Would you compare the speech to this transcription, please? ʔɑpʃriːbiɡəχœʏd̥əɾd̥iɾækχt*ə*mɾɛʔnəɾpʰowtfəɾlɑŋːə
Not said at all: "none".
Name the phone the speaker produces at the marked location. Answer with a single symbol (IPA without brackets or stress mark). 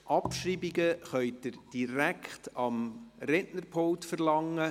ɑ